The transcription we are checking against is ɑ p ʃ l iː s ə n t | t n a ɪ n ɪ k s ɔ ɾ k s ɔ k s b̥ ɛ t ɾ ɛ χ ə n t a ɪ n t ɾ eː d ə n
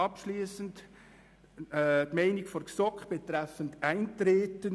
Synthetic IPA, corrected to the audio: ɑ p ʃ l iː s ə n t | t m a ɪ n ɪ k f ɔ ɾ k s ɔ k χ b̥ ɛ t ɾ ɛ f ə n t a ɪ n t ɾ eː t ə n